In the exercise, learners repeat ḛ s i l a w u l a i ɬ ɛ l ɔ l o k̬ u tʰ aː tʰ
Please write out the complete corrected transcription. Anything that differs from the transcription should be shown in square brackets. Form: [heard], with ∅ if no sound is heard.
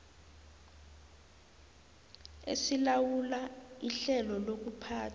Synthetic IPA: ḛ s i l a w u l a i ɬ ɛ l ɔ l o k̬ u [pʰ] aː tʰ